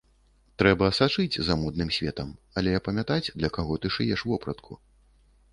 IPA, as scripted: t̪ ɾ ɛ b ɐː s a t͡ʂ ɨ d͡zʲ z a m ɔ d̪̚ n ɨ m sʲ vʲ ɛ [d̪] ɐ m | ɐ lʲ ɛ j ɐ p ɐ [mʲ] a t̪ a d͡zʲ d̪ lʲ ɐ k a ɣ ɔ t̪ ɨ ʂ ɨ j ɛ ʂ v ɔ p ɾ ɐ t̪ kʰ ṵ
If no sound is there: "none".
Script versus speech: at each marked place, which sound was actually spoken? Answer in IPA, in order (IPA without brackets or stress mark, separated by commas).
t̪, mʲ